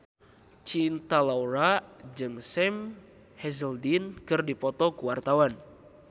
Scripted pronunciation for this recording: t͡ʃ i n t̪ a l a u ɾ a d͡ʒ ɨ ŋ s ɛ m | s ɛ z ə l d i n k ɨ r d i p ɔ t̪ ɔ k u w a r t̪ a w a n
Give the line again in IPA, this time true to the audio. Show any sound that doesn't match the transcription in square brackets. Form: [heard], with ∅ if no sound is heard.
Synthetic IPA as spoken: t͡ʃ i n t̪ a l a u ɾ a d͡ʒ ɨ ŋ s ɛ m | [h] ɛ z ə l d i n k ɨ r d i p ɔ t̪ ɔ k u w a r t̪ a w a n